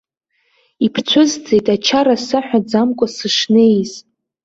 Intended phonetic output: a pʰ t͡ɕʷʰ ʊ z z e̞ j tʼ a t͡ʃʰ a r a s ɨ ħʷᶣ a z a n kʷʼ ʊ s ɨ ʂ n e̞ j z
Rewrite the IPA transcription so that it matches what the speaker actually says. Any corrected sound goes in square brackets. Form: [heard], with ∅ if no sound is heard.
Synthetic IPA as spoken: [i] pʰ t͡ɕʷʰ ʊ z [d͡z] e̞ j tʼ a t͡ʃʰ a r a s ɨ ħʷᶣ a [d͡z] a [m] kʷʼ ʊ s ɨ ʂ n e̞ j z